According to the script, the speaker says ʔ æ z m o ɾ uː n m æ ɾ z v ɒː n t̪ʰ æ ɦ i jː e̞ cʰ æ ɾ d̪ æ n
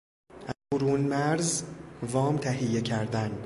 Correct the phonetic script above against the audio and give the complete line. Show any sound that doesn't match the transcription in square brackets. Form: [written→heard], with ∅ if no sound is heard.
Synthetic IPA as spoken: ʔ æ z [m→b] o ɾ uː n m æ ɾ z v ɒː [n→m] t̪ʰ æ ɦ i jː e̞ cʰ æ ɾ d̪ æ n

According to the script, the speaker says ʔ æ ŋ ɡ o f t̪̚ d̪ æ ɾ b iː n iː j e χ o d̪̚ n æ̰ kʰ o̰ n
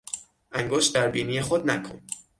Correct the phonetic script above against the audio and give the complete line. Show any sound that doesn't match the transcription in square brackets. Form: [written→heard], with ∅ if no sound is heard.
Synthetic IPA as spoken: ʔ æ ŋ ɡ o [f→ʃ] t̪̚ d̪ æ ɾ b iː n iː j e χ o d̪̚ n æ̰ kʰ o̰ n

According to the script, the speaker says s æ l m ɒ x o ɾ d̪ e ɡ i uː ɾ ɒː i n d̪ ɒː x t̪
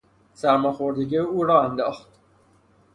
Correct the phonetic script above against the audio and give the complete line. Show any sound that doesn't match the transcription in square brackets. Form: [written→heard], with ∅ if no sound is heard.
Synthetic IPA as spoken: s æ [l→ɾ] m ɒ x o ɾ d̪ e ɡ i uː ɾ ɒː [i→æ] n d̪ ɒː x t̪

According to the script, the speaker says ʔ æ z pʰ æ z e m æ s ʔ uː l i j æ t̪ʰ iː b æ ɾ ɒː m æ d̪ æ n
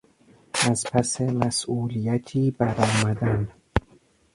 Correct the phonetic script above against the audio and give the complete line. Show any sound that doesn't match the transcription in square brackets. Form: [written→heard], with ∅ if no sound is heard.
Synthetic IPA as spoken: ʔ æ z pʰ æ [z→s] e m æ s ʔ uː l i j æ t̪ʰ iː b æ ɾ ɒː m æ d̪ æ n

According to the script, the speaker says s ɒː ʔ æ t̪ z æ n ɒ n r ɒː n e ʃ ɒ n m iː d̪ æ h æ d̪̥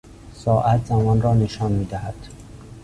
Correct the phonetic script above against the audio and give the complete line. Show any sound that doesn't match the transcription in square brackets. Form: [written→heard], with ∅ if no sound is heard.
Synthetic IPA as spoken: s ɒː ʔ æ t̪ z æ [n→m] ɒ n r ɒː n e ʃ ɒ n m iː d̪ æ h æ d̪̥

